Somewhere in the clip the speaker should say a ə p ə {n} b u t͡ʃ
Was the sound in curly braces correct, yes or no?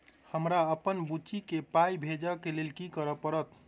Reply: yes